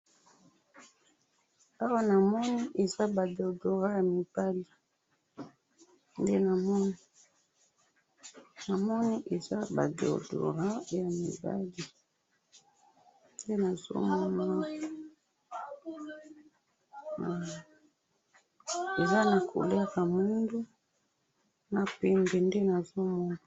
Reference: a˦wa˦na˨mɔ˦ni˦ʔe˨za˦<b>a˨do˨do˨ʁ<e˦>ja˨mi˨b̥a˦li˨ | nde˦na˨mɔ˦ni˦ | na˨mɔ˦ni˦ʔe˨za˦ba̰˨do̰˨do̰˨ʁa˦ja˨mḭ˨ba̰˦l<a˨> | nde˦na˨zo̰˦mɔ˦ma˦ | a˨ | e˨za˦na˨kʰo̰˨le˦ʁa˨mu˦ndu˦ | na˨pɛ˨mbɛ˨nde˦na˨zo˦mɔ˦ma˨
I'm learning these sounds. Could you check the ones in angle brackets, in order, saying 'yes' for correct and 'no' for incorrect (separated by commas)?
yes, no, no